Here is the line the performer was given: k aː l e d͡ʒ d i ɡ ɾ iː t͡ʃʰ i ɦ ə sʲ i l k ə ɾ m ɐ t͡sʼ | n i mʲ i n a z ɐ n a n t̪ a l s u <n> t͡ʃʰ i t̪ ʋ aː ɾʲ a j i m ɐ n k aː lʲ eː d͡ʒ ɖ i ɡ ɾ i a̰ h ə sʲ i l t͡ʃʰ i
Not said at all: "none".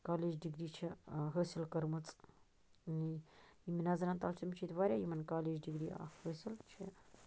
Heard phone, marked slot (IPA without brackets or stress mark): m